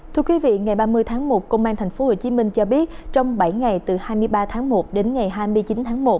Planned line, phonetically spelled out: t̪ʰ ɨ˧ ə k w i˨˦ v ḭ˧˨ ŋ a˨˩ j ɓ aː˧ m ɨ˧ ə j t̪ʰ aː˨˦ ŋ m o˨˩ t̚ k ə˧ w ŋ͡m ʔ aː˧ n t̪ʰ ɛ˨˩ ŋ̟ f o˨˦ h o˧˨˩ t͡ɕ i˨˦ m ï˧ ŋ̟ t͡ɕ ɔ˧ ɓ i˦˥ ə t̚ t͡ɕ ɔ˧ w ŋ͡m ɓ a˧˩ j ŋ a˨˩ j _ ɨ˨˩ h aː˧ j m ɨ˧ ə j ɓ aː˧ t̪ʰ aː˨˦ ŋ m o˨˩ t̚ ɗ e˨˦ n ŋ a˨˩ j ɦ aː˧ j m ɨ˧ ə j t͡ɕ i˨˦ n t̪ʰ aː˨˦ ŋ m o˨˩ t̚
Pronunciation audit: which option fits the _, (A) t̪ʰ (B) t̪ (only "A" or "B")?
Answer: B